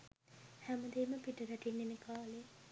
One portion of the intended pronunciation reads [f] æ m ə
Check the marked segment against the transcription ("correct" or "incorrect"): incorrect